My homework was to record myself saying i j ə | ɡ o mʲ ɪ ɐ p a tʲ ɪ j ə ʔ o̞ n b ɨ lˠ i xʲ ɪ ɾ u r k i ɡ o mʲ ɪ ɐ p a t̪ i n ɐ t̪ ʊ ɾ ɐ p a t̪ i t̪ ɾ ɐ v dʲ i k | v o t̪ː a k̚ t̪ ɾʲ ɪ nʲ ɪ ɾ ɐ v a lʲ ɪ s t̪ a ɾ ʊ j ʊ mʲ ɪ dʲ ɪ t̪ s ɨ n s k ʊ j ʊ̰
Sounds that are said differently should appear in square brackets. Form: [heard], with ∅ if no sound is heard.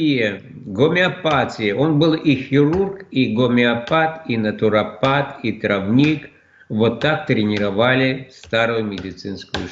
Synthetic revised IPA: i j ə | ɡ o mʲ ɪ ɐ p a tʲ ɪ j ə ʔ o̞ n b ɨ lˠ i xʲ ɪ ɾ u r k i ɡ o mʲ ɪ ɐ p a t̪ i n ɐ t̪ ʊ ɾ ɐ p a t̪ i t̪ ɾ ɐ v [nʲ] i k | v o t̪ː a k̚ t̪ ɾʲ ɪ nʲ ɪ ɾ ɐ v a lʲ ɪ s t̪ a ɾ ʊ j ʊ mʲ ɪ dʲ ɪ t̪ s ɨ n s k ʊ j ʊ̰

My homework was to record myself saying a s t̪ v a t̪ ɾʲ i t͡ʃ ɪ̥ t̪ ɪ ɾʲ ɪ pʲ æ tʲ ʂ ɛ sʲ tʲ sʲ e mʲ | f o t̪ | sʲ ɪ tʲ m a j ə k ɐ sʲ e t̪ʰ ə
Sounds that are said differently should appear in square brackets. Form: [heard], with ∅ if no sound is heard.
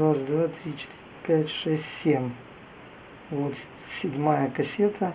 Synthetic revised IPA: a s [d̪] v a t̪ ɾʲ i t͡ʃ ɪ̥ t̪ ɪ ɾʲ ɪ pʲ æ tʲ ʂ ɛ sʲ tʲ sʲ e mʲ | [v] o t̪ | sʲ ɪ [dʲ] m a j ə k ɐ sʲ e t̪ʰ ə

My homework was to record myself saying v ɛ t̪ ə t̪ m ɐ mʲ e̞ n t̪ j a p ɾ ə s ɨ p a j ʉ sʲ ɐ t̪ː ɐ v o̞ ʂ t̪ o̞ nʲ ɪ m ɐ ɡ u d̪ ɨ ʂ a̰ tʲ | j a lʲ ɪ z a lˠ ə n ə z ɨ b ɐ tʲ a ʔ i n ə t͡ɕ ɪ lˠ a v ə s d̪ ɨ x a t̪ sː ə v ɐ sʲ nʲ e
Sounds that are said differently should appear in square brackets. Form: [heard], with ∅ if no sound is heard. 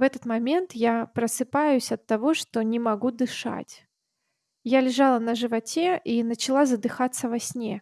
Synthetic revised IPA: v ɛ t̪ ə t̪ m ɐ mʲ e̞ n t̪ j a p ɾ ə s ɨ p a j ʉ sʲ ɐ t̪ː ɐ v o̞ ʂ t̪ o̞ nʲ ɪ m ɐ ɡ u d̪ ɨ ʂ a̰ tʲ | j a lʲ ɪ [ʐ] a lˠ ə n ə [ʐ] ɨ [v] ɐ tʲ [e] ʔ i n ə t͡ɕ ɪ lˠ a [z] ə [∅] d̪ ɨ x a t̪ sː ə v ɐ sʲ nʲ e

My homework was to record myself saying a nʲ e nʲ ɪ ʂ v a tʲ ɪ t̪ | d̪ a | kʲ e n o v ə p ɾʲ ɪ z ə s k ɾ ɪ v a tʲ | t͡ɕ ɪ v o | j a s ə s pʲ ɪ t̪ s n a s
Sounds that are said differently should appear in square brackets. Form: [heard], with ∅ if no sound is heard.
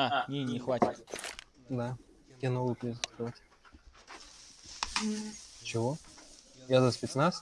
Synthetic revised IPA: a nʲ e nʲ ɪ [x] v a tʲ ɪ t̪ | d̪ a | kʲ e n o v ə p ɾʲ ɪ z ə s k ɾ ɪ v a tʲ | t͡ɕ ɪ v o | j a [z] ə s pʲ ɪ t̪ s n a s

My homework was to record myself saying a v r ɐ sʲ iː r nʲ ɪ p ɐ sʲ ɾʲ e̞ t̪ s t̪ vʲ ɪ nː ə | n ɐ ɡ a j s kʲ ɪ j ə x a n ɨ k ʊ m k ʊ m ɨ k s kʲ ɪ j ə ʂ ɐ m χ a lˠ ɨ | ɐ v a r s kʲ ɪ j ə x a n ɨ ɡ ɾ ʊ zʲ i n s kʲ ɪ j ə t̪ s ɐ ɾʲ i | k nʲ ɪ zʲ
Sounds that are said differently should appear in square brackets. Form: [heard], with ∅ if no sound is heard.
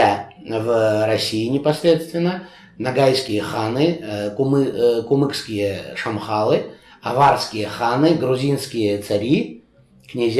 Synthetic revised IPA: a v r ɐ sʲ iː [∅] nʲ ɪ p ɐ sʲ ɾʲ e̞ t̪ s t̪ vʲ ɪ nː ə | n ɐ ɡ a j s kʲ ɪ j ə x a n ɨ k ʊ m k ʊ m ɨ k s kʲ ɪ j ə ʂ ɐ m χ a lˠ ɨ | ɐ v a r s kʲ ɪ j ə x a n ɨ ɡ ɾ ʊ zʲ i n s kʲ ɪ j ə t̪ s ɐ ɾʲ i | k nʲ ɪ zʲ

